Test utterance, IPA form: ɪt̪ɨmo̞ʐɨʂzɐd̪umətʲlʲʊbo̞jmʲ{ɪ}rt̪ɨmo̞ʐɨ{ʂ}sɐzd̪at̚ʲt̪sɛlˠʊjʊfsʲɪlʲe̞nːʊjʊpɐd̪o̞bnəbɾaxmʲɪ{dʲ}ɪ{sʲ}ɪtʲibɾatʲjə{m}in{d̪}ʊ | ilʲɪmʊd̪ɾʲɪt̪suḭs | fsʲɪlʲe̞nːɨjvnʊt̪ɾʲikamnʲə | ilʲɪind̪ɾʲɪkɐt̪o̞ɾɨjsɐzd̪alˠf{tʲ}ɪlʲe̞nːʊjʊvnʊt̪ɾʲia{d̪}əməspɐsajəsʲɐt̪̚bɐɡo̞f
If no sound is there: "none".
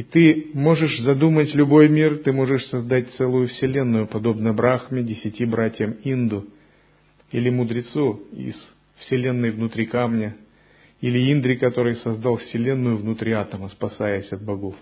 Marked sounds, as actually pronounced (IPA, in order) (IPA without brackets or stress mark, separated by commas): i, ʂ, dʲ, sʲ, m, d̪, sʲ, t̪